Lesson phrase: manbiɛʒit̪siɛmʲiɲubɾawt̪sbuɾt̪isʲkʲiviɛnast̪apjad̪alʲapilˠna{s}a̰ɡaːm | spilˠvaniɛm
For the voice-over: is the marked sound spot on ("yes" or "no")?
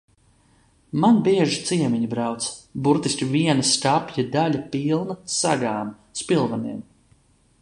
yes